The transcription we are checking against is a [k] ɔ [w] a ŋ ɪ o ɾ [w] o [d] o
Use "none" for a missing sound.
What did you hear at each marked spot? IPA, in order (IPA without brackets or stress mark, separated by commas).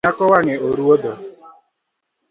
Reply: k, w, u, d